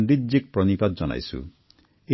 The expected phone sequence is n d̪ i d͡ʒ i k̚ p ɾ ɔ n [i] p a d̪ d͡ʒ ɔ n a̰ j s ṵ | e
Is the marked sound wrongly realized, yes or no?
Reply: no